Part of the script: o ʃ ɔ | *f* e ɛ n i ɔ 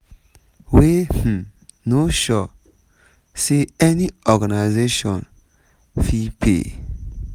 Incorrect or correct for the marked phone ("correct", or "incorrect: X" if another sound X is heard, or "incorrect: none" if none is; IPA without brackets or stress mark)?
incorrect: s